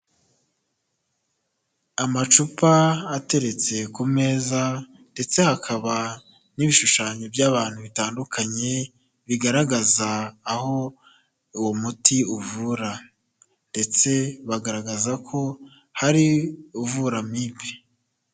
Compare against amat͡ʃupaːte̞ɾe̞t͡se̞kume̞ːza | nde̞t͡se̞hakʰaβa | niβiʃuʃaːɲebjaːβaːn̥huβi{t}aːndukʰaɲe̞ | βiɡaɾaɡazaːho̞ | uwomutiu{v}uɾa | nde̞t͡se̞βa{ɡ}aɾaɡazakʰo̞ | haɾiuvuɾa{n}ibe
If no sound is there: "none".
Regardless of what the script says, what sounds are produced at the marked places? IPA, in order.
t, v, ɡ, m

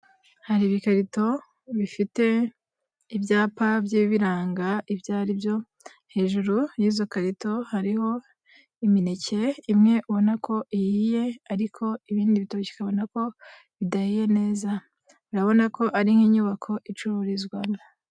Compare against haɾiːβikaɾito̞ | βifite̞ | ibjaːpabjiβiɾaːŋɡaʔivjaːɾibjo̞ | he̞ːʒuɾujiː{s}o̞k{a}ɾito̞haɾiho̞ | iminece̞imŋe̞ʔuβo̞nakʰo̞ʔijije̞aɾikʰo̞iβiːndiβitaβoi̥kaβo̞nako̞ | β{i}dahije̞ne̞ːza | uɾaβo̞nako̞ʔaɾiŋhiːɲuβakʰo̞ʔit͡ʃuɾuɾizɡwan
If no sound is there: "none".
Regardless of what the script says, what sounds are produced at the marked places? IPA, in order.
z, a, i

